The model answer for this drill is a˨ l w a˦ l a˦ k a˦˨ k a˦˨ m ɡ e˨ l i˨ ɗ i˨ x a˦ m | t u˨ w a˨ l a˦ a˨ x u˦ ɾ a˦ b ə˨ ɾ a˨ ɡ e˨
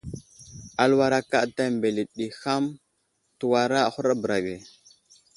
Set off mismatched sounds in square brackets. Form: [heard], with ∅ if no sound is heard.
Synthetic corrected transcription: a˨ l w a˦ [ɾ] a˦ k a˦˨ [t] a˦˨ m [b] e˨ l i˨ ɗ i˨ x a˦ m | t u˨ w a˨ [ɾ] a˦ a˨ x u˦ ɾ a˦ b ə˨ ɾ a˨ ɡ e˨